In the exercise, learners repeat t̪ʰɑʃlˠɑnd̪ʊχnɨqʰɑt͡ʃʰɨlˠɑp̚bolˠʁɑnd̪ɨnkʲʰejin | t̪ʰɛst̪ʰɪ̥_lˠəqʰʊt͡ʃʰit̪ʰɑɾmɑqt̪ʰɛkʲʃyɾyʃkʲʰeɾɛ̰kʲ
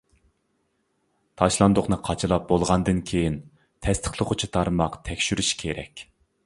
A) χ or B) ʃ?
A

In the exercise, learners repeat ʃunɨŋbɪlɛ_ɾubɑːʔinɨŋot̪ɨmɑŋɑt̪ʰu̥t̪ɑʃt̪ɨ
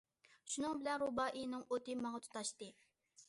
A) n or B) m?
A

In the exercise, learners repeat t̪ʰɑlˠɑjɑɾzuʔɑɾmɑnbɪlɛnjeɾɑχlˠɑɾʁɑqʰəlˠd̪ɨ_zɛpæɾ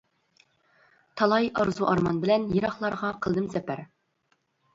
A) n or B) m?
B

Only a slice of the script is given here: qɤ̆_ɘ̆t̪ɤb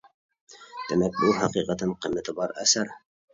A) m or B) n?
A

